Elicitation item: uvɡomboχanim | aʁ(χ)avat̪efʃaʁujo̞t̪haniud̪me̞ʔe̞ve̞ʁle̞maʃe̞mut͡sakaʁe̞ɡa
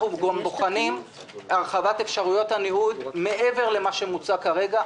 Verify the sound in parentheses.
correct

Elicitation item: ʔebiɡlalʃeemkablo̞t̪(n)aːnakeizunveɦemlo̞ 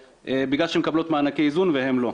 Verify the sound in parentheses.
incorrect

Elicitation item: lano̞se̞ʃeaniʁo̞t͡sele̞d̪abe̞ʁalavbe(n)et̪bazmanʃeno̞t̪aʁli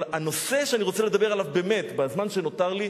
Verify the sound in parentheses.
incorrect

